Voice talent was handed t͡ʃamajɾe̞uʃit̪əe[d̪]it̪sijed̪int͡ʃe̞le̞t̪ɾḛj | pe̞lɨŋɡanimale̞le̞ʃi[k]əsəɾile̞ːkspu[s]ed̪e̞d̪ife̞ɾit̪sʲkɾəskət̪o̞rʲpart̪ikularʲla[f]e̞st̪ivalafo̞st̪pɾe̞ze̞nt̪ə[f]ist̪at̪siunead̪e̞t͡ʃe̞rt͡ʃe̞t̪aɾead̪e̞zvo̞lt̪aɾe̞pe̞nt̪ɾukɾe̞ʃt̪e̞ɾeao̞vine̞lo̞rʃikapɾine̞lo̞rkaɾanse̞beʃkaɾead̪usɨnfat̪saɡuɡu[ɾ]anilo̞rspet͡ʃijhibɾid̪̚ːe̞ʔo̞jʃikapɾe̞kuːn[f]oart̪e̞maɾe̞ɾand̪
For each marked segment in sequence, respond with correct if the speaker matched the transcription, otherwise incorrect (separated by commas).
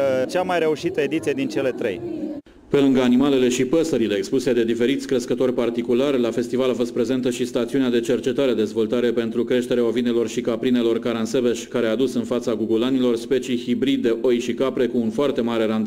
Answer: correct, incorrect, correct, correct, incorrect, incorrect, correct